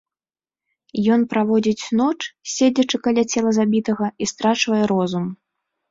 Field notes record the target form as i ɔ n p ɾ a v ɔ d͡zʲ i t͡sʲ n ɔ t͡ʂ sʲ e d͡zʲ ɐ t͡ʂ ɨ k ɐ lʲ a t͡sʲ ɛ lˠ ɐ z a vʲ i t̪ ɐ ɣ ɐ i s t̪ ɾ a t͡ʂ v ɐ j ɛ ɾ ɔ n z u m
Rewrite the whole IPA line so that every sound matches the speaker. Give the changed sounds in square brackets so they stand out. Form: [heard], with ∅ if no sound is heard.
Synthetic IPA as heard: [j] ɔ n p ɾ a v ɔ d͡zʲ i t͡sʲ n ɔ t͡ʂ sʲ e d͡zʲ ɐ t͡ʂ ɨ k [a] lʲ a t͡sʲ ɛ lˠ ɐ z a [bʲ] i t̪ ɐ ɣ ɐ i s t̪ ɾ a t͡ʂ v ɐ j ɛ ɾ ɔ [∅] z u m